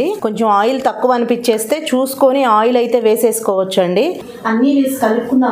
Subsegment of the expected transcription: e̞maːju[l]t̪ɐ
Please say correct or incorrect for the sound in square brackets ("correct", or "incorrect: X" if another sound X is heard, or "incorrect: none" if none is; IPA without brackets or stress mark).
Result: correct